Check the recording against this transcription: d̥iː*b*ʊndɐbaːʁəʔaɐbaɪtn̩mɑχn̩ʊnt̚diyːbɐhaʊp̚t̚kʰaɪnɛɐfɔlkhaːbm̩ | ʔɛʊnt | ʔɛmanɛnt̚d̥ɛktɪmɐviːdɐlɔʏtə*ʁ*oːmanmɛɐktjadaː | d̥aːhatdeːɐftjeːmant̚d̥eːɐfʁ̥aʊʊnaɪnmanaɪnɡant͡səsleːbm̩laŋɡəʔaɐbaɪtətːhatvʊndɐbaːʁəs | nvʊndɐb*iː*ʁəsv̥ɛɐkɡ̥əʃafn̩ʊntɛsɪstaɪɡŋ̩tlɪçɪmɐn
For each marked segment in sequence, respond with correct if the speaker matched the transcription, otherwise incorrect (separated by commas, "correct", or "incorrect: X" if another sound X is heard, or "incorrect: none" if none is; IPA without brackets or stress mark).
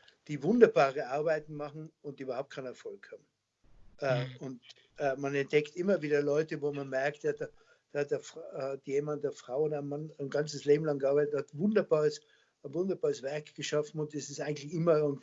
incorrect: v, incorrect: v, incorrect: aː